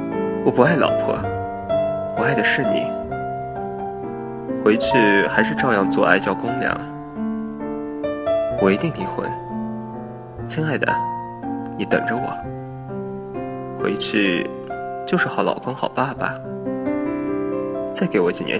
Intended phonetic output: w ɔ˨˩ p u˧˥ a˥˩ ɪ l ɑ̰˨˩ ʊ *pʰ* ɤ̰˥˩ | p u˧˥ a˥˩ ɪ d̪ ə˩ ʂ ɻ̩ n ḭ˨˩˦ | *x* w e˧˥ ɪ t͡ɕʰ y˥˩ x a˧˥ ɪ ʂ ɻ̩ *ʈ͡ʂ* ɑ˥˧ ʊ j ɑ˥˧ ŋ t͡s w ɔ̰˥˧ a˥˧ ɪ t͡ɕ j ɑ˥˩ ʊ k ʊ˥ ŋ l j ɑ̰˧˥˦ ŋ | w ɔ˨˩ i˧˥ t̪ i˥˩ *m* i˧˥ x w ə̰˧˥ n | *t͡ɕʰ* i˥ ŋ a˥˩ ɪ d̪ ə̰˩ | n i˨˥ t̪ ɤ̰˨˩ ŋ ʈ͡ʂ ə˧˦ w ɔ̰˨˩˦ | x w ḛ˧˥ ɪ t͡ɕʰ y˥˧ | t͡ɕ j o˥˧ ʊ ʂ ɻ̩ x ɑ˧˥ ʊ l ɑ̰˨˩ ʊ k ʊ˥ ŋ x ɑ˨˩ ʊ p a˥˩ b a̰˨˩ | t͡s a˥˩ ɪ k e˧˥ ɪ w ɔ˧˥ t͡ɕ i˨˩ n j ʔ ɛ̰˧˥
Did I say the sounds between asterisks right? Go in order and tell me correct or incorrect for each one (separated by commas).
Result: correct, correct, correct, incorrect, correct